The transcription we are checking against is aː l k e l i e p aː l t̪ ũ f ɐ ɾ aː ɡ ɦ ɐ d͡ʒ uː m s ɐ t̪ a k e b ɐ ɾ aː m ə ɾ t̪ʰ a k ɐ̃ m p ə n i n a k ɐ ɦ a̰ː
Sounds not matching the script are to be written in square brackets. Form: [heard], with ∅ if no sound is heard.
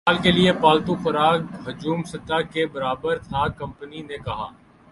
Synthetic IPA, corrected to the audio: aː l k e l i e p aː l t̪ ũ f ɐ ɾ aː ɡ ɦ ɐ d͡ʒ uː m s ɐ t̪ a k e b ɐ ɾ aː [b] ə ɾ t̪ʰ a k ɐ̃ m p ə n i n [e] k ɐ ɦ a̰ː

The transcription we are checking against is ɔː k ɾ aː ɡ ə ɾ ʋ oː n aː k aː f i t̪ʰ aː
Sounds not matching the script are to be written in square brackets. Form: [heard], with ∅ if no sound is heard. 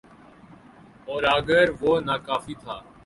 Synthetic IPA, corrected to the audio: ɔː [∅] ɾ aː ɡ ə ɾ ʋ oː n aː k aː f [iː] t̪ʰ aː

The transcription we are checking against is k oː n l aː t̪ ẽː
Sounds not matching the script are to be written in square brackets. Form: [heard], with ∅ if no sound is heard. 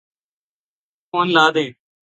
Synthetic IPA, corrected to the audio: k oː n l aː [d̪] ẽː

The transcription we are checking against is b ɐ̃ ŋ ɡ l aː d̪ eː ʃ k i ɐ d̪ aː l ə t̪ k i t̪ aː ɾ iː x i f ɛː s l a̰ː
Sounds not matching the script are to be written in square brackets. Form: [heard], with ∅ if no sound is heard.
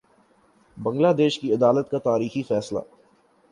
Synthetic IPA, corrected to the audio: b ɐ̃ ŋ ɡ l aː d̪ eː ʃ k i ɐ d̪ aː l ə t̪ k [a] t̪ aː ɾ iː x i f ɛː s l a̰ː

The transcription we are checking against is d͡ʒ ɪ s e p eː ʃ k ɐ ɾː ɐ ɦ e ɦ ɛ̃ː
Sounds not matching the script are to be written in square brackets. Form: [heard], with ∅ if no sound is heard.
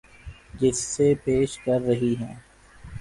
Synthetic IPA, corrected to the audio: d͡ʒ ɪ [sː] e p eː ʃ k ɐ ɾː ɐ ɦ [i] ɦ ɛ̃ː

